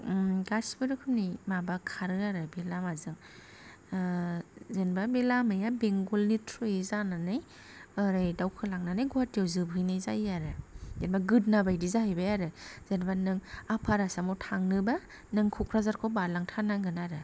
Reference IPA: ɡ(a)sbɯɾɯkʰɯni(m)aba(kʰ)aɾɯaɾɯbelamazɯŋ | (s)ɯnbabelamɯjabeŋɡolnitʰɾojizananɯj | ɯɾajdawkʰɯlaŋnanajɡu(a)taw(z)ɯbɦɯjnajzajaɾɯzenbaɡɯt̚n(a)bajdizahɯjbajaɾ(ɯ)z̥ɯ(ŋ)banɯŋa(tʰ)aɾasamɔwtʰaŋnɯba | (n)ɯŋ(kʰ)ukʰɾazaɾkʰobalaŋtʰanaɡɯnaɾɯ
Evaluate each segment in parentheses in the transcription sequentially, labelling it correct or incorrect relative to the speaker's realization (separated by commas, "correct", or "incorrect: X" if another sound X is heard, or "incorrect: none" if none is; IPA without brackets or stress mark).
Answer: correct, correct, correct, incorrect: z, correct, correct, correct, correct, incorrect: n, incorrect: pʰ, correct, correct